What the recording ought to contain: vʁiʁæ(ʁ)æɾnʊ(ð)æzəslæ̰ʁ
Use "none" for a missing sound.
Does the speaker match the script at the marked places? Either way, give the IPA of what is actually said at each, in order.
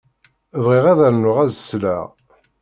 ð, ʁ

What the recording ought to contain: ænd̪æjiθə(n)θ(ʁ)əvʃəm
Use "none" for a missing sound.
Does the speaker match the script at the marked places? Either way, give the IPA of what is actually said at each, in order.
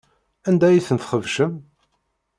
n, χ

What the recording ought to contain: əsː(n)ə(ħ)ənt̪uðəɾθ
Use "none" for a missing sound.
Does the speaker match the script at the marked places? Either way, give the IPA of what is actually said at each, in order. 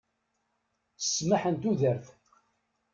m, ħ

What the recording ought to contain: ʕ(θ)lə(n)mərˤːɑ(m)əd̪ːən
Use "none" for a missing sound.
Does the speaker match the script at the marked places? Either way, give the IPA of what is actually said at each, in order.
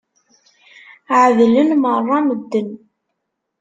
ð, n, m

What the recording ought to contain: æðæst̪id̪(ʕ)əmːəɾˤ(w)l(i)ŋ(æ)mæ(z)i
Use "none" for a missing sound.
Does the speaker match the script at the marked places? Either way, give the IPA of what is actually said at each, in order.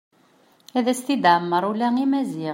ʕ, u, æ, i, z

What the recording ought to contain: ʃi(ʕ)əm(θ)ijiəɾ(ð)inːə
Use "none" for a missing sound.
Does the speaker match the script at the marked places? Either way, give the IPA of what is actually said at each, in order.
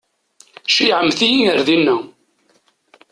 ʕ, θ, ð

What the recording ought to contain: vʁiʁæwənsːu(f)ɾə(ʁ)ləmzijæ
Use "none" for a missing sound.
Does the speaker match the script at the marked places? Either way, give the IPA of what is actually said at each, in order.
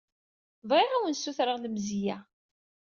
θ, ʁ

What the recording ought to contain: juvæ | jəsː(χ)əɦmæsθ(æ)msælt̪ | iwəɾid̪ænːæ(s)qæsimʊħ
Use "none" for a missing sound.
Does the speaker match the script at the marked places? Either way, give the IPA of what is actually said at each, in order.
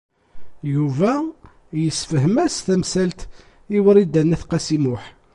f, æ, θ

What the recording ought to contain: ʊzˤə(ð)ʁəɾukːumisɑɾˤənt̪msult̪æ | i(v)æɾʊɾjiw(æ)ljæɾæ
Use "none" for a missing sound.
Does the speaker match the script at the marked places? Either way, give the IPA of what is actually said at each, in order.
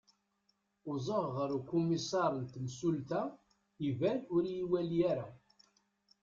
ʁ, v, æ

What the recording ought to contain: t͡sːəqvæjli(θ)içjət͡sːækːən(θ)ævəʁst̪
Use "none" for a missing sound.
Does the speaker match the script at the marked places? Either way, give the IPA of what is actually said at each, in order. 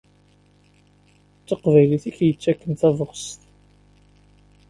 θ, θ

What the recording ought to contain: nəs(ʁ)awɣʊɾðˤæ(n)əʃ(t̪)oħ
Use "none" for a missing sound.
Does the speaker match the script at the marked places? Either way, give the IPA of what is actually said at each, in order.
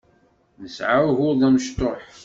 ʕ, m, t̪

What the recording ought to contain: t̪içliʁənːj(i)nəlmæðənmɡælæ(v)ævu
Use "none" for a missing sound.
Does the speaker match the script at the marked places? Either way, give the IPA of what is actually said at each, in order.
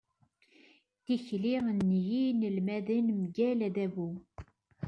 i, ð

